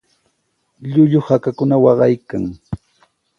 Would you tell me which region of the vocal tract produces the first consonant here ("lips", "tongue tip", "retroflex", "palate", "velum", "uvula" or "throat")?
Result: palate